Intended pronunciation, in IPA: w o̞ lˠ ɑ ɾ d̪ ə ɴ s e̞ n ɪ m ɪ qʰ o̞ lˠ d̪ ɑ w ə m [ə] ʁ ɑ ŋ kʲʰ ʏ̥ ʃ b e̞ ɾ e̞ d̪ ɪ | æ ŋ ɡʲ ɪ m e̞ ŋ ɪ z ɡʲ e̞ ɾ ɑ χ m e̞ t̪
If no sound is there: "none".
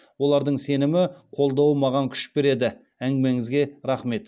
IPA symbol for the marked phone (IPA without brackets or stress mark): ɑ